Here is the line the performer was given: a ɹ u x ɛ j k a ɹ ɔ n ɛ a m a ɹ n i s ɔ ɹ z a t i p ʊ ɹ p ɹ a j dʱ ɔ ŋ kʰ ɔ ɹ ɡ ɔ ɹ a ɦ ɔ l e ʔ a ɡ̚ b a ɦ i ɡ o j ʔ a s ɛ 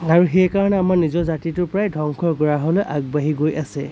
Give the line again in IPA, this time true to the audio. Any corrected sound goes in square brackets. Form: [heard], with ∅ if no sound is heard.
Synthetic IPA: a ɹ u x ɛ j k a ɹ ɔ n ɛ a m a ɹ n i [z] ɔ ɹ z a t i [t] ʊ ɹ p ɹ a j dʱ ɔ ŋ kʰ ɔ ɹ ɡ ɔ ɹ a ɦ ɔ l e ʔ a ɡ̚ b a ɦ i ɡ o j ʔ a s ɛ